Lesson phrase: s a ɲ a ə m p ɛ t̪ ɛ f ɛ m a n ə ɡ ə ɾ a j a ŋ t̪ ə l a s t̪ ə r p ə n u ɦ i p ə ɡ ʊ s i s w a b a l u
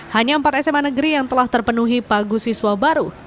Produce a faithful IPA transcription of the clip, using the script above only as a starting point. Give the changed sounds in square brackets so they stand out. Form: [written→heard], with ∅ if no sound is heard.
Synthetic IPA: [s→h] a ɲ a ə m p [ɛ→a] t̪ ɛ [f→s] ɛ m a n ə ɡ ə ɾ [a→i] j a ŋ t̪ ə l a [s→h] t̪ ə r p ə n u ɦ i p [ə→a] ɡ [ʊ→u] s i s w a b a [l→ɾ] u